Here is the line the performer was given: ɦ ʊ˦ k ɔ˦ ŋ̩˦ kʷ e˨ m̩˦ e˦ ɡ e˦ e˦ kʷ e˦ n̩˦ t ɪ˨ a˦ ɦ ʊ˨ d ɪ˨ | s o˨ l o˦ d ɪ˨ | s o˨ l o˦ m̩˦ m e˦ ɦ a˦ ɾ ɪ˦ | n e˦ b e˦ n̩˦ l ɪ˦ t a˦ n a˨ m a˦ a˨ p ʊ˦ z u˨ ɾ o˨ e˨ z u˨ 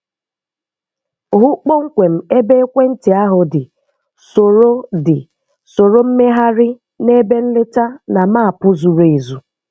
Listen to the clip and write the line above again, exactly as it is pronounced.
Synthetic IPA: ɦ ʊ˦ k͡p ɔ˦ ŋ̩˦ kʷ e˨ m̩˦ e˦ b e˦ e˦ kʷ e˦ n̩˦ t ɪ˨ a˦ ɦ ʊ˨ d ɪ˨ | s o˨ ɾ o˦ d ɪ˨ | s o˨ ɾ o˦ m̩˦ m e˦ ɦ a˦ ɾ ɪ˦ | n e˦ b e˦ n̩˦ l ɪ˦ t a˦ n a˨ m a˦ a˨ p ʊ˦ z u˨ ɾ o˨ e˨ z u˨